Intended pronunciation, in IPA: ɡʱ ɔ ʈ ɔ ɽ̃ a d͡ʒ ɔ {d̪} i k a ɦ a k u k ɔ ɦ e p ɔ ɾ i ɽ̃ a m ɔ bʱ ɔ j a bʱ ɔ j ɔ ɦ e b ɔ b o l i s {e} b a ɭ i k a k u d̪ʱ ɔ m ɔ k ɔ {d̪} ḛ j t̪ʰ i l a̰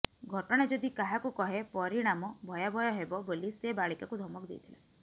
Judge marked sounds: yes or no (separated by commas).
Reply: yes, yes, yes